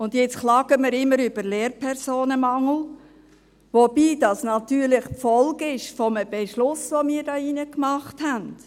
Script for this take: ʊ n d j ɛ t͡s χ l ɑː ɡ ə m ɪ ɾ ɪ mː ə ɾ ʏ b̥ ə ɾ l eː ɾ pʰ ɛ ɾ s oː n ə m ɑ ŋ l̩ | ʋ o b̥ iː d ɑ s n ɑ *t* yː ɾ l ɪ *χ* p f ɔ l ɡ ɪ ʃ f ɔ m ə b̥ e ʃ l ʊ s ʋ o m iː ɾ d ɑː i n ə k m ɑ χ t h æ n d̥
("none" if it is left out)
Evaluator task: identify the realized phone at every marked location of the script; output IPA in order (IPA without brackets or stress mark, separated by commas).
t, χ